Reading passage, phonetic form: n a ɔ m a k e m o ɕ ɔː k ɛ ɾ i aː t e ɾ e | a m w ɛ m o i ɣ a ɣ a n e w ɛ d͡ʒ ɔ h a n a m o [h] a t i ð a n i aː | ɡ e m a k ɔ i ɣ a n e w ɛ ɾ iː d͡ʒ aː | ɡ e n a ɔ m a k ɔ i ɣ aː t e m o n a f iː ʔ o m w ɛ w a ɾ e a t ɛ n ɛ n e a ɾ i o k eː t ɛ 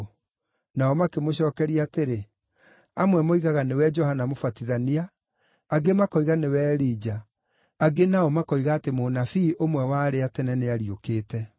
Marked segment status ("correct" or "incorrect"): incorrect